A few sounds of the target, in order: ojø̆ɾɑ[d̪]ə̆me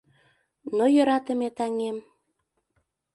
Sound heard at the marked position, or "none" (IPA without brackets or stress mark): t̪